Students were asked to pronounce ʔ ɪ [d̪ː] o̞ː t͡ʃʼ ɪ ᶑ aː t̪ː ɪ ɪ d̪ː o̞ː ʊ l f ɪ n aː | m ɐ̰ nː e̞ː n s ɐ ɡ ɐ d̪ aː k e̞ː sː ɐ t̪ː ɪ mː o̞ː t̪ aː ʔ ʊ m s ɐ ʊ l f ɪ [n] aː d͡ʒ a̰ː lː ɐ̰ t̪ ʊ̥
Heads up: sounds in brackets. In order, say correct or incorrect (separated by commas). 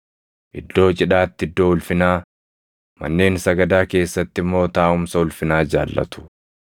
correct, correct